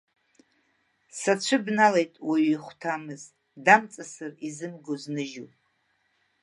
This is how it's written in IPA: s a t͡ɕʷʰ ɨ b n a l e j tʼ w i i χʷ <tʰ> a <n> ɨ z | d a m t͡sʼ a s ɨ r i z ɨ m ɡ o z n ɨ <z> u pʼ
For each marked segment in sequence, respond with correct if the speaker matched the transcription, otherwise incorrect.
correct, incorrect, incorrect

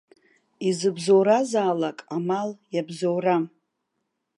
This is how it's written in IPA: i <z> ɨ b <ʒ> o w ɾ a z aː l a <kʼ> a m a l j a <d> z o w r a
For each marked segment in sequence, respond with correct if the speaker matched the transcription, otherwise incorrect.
correct, incorrect, correct, incorrect

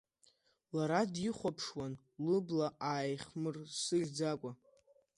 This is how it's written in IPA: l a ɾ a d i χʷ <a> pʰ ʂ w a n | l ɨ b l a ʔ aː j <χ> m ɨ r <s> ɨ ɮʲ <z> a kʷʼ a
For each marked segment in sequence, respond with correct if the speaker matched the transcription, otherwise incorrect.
correct, correct, correct, incorrect

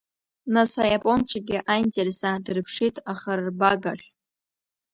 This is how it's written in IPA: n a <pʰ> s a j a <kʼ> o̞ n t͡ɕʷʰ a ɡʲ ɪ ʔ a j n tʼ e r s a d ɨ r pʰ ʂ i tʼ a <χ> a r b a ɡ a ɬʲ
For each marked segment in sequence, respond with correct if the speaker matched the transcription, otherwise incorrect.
incorrect, incorrect, correct

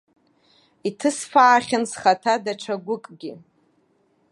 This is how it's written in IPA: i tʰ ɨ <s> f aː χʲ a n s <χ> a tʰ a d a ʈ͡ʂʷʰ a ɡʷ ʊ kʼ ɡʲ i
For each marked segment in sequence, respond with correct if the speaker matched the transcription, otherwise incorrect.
correct, correct

